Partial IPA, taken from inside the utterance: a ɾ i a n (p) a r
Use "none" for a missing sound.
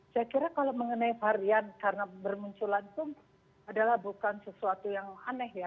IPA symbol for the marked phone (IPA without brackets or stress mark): k